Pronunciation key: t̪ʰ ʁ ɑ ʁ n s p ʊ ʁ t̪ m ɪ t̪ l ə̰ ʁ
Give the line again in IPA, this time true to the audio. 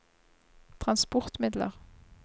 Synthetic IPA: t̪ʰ ʁ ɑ n s p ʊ ʁ t̪ m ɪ d̪ l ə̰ ʁ